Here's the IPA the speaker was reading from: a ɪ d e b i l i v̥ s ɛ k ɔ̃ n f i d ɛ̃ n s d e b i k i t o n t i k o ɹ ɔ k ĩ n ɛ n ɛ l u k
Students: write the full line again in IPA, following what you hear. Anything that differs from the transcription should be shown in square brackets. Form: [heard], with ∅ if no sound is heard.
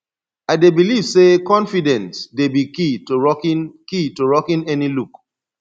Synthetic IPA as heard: a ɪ d e b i l i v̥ s [e] k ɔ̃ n f i d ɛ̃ n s d e b i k i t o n [k] i [t] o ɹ ɔ k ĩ n ɛ n [i] l u k